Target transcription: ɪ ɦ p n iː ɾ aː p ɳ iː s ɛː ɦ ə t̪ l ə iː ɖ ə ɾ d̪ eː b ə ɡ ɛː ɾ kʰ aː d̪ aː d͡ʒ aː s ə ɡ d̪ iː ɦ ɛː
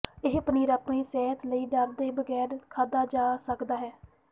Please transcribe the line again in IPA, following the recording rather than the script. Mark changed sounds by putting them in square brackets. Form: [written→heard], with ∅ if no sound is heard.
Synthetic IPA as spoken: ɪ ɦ p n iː ɾ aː p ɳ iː s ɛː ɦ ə t̪ l ə iː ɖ ə ɾ d̪ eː b ə ɡ ɛː ɾ kʰ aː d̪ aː d͡ʒ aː s ə [ɡ→k] d̪ [iː→aː] ɦ ɛː